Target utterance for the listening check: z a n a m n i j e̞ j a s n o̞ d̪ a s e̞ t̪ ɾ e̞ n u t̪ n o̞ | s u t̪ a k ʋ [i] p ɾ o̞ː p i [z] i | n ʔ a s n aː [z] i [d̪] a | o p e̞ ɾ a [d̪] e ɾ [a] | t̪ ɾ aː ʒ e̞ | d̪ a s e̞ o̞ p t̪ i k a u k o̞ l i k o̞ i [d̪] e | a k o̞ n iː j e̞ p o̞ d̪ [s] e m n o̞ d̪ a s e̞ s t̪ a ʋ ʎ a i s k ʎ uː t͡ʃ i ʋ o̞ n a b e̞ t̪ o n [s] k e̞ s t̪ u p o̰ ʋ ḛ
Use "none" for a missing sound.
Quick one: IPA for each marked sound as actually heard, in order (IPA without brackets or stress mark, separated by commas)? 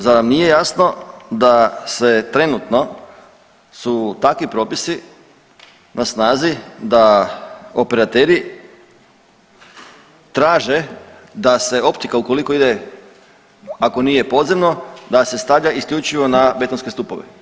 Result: i, s, z, d̪, t̪, i, d̪, z, s